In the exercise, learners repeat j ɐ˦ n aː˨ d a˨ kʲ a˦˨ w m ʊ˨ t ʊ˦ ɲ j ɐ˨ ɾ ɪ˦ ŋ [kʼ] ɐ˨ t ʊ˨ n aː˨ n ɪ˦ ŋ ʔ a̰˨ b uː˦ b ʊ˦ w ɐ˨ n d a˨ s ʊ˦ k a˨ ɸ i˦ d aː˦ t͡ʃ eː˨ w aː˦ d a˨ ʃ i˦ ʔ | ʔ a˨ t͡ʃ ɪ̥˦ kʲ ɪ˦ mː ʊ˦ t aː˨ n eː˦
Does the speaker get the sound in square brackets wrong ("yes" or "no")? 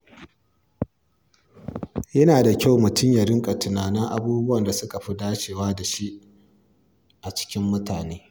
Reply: no